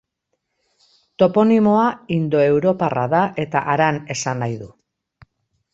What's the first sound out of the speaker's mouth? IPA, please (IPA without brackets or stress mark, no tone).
t̪